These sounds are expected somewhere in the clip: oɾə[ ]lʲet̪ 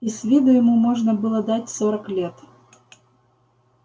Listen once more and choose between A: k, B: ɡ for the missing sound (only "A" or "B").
A